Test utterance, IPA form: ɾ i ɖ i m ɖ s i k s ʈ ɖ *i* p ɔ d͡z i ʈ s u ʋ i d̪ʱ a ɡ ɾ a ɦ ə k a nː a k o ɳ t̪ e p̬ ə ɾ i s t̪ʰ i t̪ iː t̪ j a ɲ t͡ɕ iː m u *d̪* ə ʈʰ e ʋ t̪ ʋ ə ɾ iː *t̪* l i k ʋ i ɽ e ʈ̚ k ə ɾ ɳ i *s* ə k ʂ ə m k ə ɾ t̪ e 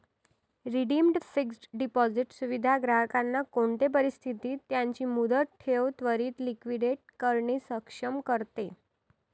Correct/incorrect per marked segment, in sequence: correct, correct, correct, correct

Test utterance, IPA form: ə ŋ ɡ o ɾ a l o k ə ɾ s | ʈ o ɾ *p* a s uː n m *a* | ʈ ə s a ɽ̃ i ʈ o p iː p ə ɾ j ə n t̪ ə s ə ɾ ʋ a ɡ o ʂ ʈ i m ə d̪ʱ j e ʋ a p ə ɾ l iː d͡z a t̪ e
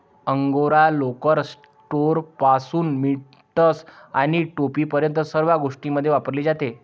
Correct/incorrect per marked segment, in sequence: correct, incorrect

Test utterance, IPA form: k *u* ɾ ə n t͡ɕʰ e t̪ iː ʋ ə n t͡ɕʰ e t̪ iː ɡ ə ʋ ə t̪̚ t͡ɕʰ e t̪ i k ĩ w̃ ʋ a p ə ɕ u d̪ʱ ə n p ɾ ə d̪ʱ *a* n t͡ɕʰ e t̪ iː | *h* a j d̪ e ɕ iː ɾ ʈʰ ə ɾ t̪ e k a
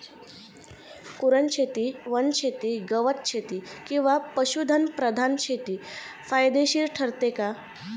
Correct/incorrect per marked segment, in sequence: correct, correct, incorrect

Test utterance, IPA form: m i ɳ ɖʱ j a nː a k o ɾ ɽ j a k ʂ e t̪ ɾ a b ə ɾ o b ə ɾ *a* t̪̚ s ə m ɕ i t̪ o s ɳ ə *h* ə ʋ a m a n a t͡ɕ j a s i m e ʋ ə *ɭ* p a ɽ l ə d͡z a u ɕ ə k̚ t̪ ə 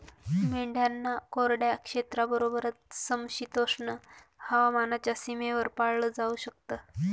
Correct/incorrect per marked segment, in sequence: incorrect, correct, incorrect

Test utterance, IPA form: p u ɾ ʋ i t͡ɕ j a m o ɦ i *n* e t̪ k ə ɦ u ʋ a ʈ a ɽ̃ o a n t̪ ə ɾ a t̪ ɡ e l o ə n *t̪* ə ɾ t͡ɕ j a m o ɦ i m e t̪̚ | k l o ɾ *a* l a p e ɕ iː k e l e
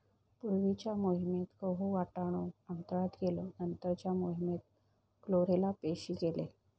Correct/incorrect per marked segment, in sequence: incorrect, correct, incorrect

